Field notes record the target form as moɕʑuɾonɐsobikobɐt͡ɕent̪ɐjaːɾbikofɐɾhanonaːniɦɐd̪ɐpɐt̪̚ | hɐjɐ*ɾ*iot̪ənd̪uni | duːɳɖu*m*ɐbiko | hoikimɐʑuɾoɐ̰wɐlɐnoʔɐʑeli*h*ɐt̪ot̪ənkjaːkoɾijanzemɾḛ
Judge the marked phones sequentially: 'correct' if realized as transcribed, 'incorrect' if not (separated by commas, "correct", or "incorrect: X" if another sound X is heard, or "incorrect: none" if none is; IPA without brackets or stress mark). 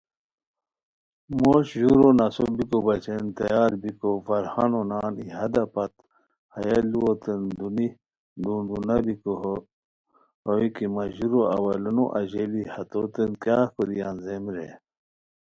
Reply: incorrect: l, incorrect: n, correct